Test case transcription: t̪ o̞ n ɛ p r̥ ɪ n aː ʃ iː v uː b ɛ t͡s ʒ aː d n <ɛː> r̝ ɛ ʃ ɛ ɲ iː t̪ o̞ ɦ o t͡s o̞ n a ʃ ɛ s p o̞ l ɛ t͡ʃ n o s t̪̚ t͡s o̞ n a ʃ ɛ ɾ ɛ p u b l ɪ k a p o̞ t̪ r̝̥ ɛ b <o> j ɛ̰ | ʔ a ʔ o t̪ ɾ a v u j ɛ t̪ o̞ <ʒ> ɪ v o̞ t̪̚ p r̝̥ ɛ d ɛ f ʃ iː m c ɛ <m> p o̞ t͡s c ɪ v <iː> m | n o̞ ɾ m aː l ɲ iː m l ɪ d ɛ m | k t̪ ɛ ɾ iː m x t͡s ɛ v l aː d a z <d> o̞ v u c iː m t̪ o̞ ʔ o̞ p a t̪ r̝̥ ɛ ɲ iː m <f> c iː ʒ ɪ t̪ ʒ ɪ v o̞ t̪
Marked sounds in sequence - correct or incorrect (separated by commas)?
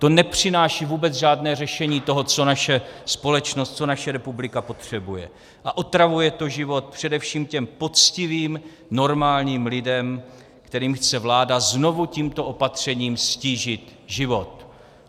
correct, incorrect, correct, correct, correct, incorrect, incorrect